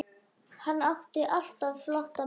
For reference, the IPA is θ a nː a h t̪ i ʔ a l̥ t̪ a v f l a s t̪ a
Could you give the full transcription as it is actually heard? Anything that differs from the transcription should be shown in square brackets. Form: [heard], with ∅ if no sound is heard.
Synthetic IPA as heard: [h] a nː a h t̪ [ɪ] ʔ a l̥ t̪ a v f l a [h] t̪ a